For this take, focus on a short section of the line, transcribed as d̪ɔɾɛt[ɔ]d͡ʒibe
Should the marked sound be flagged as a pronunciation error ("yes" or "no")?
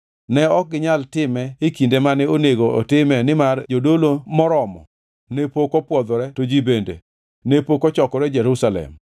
yes